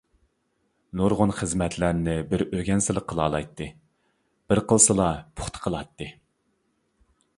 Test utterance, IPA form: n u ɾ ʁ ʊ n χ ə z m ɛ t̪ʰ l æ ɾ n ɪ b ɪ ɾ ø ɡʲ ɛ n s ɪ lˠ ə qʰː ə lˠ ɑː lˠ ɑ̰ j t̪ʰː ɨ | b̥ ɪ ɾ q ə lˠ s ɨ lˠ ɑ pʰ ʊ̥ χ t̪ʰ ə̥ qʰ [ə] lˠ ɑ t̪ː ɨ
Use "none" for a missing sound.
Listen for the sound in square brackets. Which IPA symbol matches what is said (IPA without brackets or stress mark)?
ə